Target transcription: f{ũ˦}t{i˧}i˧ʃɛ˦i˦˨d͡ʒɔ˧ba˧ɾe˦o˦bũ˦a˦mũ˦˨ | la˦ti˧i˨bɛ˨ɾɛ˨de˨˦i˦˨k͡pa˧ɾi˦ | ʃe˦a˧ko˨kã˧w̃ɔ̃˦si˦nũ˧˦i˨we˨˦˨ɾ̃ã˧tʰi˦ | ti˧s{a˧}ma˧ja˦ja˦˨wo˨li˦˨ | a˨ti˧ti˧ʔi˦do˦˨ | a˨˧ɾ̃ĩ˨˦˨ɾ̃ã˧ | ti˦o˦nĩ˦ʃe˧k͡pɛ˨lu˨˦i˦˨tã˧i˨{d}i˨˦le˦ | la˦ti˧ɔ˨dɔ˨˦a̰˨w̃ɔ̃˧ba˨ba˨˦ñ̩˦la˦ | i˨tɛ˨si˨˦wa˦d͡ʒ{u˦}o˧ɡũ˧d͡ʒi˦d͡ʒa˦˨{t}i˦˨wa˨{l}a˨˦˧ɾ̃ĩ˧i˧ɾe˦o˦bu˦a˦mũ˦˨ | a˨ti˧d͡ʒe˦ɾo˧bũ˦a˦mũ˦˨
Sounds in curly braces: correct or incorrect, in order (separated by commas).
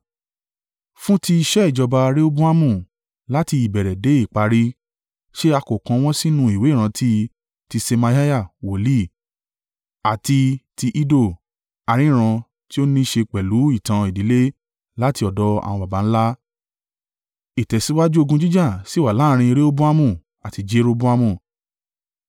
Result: correct, correct, incorrect, correct, correct, incorrect, correct